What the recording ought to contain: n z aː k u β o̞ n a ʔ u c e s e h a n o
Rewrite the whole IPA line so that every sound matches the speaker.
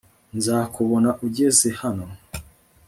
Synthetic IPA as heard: n z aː k u β o̞ n a ʔ u ɟ e z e h a n o